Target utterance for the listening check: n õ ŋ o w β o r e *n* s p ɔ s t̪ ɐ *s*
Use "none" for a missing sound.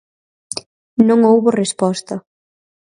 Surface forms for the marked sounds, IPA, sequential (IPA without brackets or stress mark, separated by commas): none, none